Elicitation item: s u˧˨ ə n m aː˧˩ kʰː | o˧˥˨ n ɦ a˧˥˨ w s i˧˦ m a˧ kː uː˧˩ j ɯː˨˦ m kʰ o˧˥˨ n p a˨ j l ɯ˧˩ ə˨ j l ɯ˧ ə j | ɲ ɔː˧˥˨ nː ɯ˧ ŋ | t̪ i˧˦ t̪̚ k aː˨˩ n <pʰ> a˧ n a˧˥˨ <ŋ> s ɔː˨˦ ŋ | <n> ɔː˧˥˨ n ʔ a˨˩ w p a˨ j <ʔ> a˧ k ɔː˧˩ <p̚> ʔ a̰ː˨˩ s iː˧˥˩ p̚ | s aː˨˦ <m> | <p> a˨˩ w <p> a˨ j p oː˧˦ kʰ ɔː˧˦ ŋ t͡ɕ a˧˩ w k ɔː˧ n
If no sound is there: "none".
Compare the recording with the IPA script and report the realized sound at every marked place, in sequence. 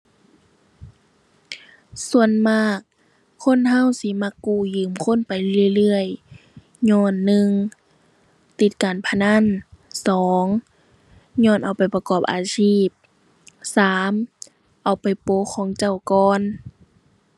pʰ, n, ɲ, p, p̚, m, ʔ, p

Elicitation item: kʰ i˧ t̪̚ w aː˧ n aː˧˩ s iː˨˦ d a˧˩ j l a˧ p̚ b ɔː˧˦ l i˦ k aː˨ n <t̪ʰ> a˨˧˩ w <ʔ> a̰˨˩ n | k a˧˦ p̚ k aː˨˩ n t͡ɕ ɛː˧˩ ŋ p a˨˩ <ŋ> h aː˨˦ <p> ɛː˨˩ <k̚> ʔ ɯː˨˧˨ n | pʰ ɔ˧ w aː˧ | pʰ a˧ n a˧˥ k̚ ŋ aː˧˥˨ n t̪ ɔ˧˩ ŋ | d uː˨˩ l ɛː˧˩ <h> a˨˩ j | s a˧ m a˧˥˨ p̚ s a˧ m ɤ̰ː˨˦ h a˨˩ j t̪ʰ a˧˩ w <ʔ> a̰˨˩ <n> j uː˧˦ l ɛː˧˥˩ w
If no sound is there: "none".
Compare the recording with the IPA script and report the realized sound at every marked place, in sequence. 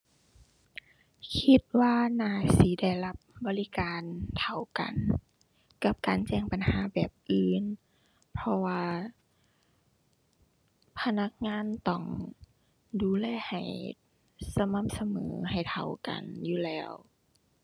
t̪ʰ, k, n, b, p̚, h, k, n

